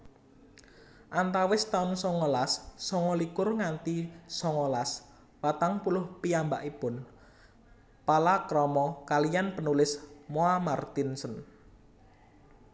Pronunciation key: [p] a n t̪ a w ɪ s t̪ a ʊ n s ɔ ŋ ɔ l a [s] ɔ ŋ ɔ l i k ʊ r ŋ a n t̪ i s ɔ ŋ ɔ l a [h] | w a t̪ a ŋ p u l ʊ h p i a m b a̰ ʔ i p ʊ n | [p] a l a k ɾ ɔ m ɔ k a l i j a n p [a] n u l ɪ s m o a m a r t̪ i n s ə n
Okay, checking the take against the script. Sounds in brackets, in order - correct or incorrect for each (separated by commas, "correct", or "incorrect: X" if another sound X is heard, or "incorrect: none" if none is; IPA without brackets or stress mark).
incorrect: ʔ, incorrect: sː, incorrect: s, correct, incorrect: ə